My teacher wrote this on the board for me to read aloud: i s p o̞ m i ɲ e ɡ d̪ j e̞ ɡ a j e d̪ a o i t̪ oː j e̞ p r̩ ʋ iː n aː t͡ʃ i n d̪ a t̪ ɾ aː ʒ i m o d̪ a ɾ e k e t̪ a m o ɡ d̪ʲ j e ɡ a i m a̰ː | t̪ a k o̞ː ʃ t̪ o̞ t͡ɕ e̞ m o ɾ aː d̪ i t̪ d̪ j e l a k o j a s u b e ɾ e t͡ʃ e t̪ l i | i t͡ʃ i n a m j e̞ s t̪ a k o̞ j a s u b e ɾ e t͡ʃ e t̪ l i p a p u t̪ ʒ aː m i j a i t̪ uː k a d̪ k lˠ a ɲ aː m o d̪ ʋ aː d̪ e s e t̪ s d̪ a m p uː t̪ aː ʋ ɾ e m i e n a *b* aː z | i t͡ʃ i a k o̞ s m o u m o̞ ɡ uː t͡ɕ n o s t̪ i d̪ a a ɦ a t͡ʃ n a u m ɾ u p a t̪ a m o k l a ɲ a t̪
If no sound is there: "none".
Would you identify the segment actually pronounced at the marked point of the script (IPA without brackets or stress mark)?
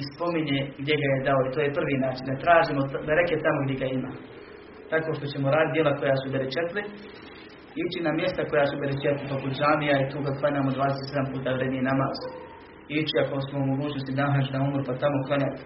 m